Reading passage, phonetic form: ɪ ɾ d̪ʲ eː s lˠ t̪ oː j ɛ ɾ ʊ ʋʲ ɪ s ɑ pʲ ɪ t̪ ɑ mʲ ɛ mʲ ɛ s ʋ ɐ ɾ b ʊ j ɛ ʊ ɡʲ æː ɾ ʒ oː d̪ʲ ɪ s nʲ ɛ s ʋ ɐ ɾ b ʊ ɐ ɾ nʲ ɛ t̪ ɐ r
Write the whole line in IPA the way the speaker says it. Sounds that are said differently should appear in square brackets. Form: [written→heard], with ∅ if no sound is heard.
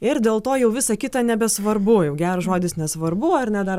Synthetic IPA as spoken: ɪ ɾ d̪ʲ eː [s→∅] lˠ t̪ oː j ɛ [ɾ→∅] ʊ ʋʲ ɪ s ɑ [pʲ→kʲ] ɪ t̪ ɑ [mʲ→nʲ] ɛ [mʲ→bʲ] ɛ s ʋ ɐ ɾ b ʊ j ɛ ʊ ɡʲ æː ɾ ʒ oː d̪ʲ ɪ s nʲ ɛ s ʋ ɐ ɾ b ʊ ɐ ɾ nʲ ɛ [t̪→d̪] ɐ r